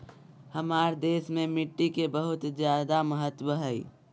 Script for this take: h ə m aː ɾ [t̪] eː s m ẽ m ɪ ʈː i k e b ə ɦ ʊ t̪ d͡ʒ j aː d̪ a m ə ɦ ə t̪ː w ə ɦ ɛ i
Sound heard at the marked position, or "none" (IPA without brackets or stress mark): d̪